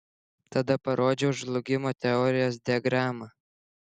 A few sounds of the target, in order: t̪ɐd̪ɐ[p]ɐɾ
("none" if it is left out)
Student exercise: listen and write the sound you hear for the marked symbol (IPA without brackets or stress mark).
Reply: p